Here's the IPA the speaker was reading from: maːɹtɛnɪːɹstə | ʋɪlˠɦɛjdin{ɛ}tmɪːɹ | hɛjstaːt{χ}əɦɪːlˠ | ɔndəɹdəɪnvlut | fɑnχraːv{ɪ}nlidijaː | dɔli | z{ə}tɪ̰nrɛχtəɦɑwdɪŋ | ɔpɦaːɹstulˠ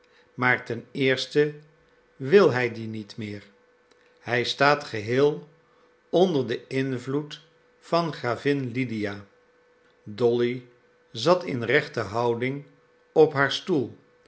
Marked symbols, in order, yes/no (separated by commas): no, yes, yes, no